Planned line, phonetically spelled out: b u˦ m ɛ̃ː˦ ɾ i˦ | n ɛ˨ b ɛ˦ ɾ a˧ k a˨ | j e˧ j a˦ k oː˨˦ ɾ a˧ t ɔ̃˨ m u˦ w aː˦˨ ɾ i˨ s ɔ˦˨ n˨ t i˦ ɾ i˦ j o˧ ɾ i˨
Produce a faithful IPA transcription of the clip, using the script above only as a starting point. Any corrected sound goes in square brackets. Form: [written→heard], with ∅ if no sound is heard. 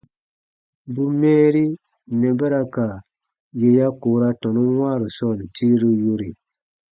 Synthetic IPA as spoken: b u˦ m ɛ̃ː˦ ɾ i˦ | n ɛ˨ b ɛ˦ ɾ a˧ k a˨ | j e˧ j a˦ k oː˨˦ ɾ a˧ t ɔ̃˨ [m→n] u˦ w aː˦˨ ɾ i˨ s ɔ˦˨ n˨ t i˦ ɾ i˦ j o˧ ɾ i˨